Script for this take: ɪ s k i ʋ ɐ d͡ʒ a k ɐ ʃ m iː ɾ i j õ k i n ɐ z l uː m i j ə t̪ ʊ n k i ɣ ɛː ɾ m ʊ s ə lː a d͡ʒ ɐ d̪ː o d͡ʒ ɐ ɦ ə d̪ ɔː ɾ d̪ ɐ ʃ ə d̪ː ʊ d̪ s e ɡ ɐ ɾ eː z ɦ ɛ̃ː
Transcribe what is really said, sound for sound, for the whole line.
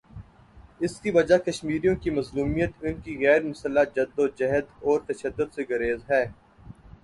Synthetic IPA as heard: ɪ s k i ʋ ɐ d͡ʒ a k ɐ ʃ m iː ɾ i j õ k i m ɐ z l uː m i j ə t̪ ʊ n k i ɣ ɛː ɾ m ʊ s ə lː a d͡ʒ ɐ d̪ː o d͡ʒ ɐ ɦ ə d̪ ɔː ɾ t̪ ɐ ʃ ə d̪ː ʊ d̪ s e ɡ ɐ ɾ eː z ɦ ɛː